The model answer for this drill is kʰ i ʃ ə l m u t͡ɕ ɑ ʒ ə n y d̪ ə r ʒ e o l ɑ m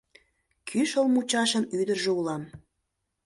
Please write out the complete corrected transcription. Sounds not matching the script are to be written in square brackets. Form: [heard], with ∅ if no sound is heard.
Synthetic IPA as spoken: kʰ [y] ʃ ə l m u t͡ɕ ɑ [ʃ] ə n y d̪ ə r ʒ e [u] l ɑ m